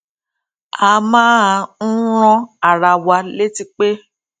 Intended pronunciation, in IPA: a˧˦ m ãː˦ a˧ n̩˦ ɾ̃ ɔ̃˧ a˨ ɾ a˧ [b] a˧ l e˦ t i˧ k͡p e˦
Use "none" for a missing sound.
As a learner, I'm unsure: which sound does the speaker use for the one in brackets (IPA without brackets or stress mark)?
w